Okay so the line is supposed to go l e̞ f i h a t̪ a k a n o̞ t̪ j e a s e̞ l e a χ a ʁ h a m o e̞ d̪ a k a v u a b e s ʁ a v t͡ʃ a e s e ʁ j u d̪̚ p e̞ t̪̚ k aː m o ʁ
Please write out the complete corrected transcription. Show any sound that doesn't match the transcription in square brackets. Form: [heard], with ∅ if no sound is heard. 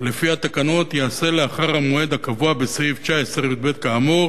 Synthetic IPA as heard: l e̞ f i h a t̪ a k a n o̞ t̪ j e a s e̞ l e a χ a ʁ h a m o e̞ d̪ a k a v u a b e s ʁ [i] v t͡ʃ a e s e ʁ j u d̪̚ [b] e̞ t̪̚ k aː m o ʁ

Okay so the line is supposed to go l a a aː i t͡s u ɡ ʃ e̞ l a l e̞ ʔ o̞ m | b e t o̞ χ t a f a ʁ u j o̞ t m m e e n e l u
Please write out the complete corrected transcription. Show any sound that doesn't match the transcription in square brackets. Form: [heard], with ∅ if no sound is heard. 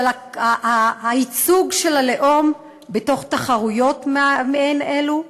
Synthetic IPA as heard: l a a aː i t͡s u ɡ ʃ e̞ l a l e̞ ʔ o̞ m | b e t o̞ χ t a [χ] a ʁ u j o̞ t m m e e n e l u

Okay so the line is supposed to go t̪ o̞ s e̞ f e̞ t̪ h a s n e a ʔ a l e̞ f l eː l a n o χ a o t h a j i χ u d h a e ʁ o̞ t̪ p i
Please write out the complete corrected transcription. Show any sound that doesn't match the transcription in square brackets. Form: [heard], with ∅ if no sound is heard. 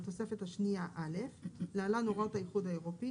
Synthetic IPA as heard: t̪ o̞ s e̞ f e̞ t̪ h a [ʃ] n [i] a ʔ a l e̞ f l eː l a n o [ʁ] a o t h a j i χ u d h a e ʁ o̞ [∅] p i

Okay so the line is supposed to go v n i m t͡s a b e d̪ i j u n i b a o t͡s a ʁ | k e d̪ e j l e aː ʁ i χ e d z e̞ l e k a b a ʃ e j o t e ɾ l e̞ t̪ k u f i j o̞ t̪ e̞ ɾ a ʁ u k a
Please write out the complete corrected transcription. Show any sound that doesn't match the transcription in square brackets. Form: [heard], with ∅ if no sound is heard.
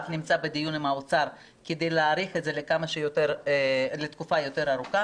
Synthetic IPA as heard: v n i m t͡s a b e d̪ i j u n i [m] a o t͡s a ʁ | k e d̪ e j l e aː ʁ i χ e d z e̞ l e k a [m] a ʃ e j o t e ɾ l e̞ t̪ k u f [a] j o̞ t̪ e̞ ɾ a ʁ u k a

